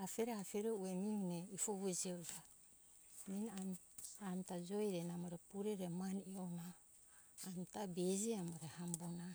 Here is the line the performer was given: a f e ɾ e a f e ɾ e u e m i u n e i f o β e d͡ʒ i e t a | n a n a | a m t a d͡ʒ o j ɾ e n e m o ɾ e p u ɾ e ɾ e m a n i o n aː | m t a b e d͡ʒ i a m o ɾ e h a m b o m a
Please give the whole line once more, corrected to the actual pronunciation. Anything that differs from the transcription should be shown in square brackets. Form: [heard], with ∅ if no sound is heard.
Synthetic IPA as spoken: a f e ɾ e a f e ɾ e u e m i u n e i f o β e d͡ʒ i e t a | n [i] n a | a m t a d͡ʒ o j ɾ e n [a] m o ɾ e p u ɾ e ɾ e m a n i o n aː | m t a b e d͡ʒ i a m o ɾ e h a m b o [n] a